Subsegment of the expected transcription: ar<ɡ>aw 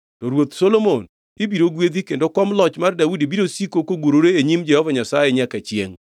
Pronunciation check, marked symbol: incorrect: d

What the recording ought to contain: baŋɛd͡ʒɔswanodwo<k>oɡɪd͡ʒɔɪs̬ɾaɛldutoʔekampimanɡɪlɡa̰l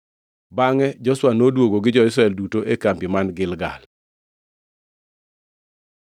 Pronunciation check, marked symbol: incorrect: ɡ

